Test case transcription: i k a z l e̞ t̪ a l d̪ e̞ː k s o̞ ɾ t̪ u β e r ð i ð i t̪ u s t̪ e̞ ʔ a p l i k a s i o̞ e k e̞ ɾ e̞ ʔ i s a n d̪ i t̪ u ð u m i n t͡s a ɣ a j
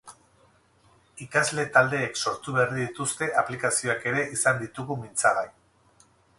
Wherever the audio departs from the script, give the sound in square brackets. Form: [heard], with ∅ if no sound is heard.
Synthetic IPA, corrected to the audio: i k a z l e̞ t̪ a l d̪ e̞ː k s o̞ ɾ t̪ u β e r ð i ð i t̪ u s t̪ e̞ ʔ a p l i k a s i o̞ [a] k e̞ ɾ e̞ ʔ i s a n d̪ i t̪ u [ɣ] u m i n t͡s a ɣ a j